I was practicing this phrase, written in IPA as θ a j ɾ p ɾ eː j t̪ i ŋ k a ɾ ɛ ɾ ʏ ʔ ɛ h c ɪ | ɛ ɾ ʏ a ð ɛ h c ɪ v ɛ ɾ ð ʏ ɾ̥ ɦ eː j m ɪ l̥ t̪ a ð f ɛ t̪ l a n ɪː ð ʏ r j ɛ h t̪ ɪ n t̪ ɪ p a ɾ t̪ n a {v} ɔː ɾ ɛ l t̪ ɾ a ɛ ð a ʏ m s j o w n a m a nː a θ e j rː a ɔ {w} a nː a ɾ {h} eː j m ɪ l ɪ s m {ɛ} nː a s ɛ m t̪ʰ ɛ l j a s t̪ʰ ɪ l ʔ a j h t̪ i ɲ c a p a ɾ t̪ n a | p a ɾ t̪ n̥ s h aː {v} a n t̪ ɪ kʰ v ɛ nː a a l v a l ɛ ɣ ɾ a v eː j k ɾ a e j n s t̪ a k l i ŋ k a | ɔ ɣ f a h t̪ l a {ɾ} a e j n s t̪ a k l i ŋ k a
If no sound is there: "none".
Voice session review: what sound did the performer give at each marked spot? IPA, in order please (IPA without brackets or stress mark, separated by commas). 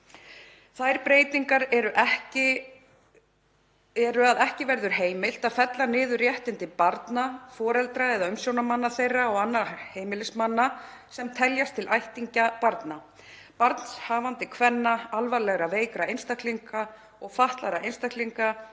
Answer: f, ɣ, h, a, v, ɾ